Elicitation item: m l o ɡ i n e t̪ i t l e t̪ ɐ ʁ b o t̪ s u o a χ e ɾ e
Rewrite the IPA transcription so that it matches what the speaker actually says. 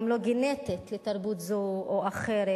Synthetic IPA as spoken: m l o ɡ i n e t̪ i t l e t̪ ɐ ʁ b u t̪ z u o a χ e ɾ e